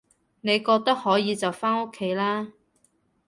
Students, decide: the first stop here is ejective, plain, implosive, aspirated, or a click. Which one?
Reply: plain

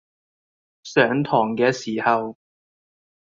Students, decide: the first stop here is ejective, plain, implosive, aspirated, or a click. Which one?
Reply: aspirated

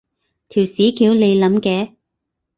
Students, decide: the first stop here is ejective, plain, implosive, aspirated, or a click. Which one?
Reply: aspirated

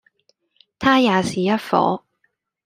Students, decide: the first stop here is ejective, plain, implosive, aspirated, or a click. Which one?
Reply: aspirated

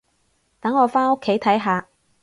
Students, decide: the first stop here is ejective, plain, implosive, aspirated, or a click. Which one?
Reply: plain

